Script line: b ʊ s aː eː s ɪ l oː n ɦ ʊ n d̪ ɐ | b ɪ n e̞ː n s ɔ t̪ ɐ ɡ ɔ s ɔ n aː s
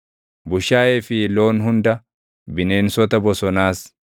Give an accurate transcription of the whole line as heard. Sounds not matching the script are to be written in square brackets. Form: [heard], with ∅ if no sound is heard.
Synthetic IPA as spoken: b ʊ [ʃ] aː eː [f] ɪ l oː n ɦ ʊ n d̪ ɐ | b ɪ n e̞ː n s ɔ t̪ ɐ [b] ɔ s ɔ n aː s